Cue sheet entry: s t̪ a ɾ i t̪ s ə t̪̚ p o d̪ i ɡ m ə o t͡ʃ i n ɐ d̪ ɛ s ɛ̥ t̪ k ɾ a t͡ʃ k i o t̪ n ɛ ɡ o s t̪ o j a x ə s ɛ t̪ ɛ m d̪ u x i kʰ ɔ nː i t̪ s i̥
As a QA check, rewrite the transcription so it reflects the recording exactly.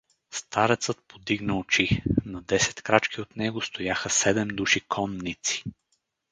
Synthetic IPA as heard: s t̪ a ɾ ɛ t̪ s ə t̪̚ p o d̪ i ɡ n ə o t͡ʃ i n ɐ d̪ ɛ s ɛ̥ t̪ k ɾ a t͡ʃ k i o t̪ n ɛ ɡ o s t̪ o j a x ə s ɛ d̪ ɛ m d̪ u ʃ i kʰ ɔ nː i t̪ s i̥